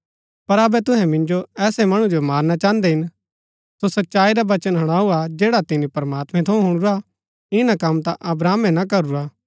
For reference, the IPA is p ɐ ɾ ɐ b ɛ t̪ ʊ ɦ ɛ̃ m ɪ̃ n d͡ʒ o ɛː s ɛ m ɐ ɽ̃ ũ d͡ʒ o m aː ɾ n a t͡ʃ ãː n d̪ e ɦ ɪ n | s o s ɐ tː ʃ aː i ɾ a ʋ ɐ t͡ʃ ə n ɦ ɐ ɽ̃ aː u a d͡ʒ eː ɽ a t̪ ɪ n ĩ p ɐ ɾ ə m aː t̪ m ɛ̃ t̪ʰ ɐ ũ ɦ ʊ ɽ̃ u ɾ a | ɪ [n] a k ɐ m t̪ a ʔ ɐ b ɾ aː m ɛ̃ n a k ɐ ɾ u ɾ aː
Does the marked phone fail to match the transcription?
no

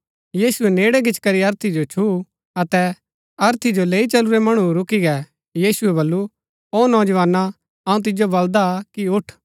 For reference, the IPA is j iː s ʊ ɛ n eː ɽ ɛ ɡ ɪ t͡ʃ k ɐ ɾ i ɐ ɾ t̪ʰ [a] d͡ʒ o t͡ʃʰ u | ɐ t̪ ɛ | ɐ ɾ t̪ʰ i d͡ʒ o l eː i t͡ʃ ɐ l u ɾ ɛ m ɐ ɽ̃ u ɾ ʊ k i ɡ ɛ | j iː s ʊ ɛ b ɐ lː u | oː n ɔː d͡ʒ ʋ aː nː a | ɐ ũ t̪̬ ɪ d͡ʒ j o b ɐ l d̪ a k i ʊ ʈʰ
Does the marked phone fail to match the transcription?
yes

